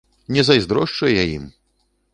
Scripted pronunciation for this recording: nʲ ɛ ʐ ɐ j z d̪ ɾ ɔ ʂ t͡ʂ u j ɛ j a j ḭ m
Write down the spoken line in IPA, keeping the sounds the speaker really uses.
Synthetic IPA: nʲ ɛ z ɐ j z d̪ ɾ ɔ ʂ t͡ʂ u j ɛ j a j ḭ m